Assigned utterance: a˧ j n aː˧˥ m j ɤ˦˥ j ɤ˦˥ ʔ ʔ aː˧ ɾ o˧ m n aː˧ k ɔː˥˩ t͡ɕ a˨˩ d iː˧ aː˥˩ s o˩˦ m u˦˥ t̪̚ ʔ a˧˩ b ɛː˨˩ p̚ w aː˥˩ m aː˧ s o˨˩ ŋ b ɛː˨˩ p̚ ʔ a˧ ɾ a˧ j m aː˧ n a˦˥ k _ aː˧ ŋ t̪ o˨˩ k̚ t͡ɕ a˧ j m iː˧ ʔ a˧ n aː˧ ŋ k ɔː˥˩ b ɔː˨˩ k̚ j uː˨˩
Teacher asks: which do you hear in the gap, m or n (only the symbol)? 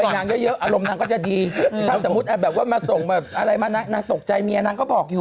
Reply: n